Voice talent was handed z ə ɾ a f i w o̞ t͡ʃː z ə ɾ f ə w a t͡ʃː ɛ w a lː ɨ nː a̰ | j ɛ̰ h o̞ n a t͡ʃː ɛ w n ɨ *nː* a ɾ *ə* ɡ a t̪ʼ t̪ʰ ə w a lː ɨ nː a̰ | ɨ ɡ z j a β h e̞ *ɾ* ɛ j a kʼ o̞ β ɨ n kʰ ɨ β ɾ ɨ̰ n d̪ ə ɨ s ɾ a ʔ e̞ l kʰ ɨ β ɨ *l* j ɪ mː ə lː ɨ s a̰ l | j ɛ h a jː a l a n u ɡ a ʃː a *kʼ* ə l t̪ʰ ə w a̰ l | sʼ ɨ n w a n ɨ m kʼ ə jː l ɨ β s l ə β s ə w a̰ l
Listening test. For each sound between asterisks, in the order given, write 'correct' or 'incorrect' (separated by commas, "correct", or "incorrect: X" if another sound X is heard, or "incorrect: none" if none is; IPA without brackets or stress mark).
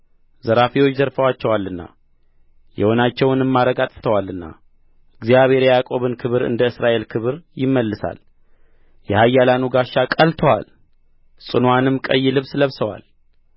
incorrect: mː, correct, correct, incorrect: ɾ, correct